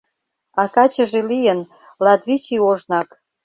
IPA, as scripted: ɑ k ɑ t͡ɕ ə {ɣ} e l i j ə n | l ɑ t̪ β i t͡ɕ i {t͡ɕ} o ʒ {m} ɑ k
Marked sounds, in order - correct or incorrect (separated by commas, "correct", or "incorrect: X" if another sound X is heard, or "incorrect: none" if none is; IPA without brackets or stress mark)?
incorrect: ʒ, incorrect: none, incorrect: n